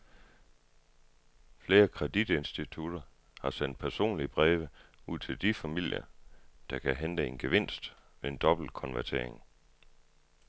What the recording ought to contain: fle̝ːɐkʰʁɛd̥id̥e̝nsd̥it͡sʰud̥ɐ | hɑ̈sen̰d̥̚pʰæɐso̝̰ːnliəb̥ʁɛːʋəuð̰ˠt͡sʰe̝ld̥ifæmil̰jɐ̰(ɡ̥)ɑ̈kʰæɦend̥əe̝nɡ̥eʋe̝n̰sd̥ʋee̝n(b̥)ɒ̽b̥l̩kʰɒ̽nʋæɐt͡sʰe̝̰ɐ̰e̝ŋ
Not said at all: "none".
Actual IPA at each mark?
d̥, d̥

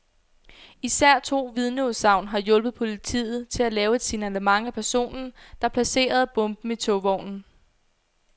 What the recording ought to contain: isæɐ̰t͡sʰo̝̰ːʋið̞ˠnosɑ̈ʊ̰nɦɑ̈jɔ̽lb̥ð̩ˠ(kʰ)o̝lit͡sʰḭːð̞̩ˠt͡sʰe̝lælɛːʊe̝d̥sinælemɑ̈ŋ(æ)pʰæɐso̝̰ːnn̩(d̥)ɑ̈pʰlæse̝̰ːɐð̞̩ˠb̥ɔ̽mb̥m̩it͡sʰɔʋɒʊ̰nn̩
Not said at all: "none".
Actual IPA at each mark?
pʰ, æ, d̥

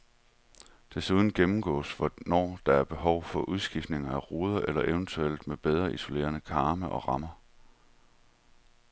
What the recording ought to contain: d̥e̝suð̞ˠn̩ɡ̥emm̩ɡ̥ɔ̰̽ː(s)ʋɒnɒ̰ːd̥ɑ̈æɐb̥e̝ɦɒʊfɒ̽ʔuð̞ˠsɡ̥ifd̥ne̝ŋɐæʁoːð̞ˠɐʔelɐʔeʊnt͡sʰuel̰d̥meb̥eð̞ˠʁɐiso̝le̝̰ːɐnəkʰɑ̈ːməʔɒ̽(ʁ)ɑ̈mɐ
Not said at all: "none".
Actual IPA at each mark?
s, ʁ

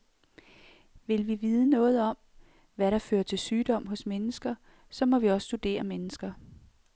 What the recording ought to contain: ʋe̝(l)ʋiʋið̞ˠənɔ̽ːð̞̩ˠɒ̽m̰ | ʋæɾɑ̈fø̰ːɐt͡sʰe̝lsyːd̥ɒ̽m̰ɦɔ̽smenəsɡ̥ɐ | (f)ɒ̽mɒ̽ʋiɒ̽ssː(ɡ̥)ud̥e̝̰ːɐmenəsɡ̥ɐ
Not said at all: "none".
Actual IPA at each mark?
l, s, d̥

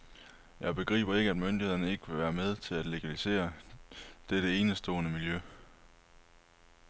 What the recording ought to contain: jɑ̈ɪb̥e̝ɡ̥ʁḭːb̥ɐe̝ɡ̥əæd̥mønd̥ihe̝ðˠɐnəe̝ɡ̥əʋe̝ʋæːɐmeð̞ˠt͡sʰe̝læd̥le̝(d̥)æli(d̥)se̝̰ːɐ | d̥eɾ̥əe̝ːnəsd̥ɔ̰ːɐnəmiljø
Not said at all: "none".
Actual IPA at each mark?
ɡ̥, none

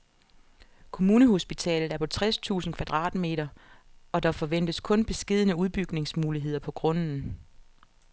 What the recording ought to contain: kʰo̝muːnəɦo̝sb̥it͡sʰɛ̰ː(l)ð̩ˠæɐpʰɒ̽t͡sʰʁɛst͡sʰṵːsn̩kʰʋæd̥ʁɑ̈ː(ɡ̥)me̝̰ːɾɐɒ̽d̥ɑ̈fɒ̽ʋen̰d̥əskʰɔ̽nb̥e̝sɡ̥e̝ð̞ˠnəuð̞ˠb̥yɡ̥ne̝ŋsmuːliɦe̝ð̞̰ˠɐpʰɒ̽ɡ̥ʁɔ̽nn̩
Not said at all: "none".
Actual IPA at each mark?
l, d̥

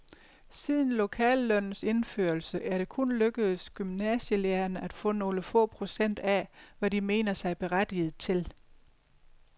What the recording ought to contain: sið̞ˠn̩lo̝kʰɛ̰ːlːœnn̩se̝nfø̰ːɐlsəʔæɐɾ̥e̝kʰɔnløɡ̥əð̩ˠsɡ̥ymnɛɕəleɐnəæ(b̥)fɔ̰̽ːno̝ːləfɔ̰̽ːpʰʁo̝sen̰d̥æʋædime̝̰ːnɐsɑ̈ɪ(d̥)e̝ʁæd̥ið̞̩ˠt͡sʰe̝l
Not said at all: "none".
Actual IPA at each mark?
d̥, b̥

